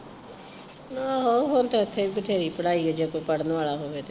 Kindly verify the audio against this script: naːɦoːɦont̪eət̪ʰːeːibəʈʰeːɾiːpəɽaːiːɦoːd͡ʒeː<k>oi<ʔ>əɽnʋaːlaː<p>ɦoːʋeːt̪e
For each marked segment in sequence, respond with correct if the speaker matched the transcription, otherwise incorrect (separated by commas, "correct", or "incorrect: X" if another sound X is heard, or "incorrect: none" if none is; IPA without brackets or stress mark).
correct, incorrect: p, incorrect: none